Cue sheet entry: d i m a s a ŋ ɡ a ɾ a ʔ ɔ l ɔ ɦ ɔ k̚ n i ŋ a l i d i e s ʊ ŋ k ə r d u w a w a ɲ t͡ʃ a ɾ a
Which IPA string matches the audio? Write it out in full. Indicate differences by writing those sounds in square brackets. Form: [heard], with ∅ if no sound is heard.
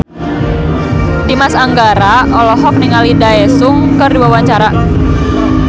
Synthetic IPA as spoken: d i m a s a ŋ ɡ a ɾ a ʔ ɔ l ɔ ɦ ɔ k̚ n i ŋ a l i d [a] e s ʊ ŋ k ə r d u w a w a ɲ t͡ʃ a ɾ a